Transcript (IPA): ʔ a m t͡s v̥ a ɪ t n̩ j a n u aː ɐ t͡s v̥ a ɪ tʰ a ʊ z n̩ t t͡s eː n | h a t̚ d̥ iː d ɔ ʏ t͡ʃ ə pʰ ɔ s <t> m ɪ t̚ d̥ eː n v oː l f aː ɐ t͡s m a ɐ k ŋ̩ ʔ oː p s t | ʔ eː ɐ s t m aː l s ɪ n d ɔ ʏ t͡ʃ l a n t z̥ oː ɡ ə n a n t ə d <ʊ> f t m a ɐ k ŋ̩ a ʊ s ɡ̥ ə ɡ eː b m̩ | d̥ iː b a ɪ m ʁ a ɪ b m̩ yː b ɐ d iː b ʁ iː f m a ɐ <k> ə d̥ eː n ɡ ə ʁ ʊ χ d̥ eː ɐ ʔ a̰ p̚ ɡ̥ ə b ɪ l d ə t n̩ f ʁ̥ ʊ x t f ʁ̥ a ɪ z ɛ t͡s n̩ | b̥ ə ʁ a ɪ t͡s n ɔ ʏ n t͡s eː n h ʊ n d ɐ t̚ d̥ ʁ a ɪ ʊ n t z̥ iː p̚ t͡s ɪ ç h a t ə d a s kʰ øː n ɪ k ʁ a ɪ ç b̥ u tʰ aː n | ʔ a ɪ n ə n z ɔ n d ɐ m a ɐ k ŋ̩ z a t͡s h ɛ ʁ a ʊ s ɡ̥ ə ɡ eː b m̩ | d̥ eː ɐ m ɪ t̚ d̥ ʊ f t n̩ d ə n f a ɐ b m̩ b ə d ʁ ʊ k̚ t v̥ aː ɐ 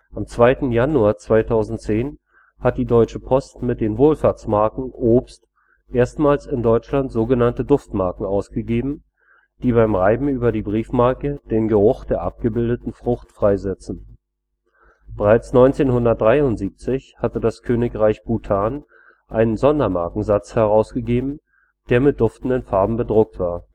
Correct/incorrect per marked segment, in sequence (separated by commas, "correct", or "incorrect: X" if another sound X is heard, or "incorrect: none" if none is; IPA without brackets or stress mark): correct, correct, correct